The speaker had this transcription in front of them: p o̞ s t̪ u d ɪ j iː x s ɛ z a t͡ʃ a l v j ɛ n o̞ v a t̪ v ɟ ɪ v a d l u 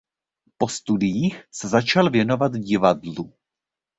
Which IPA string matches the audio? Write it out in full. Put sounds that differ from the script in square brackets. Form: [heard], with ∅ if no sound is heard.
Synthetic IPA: p o̞ s t̪ u d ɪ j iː x s ɛ z a t͡ʃ a l v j ɛ n o̞ v a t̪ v ɟ ɪ v a d l u